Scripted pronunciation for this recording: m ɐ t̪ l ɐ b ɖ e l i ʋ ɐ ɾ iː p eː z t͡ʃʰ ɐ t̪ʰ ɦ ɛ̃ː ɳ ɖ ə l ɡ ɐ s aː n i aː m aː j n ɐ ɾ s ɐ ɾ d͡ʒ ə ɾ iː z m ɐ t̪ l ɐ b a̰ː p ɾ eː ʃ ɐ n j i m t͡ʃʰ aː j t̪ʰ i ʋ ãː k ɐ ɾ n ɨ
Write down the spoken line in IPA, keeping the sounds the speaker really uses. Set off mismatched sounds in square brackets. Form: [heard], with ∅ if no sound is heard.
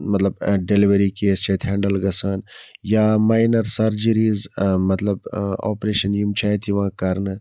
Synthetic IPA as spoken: m ɐ t̪ l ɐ b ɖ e l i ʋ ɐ ɾ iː [k] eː [s] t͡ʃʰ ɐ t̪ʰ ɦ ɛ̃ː ɳ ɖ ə l ɡ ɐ s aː n [j] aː m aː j n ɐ ɾ s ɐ ɾ d͡ʒ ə ɾ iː z m ɐ t̪ l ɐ b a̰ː p ɾ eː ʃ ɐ n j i m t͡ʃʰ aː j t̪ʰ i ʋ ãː k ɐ ɾ n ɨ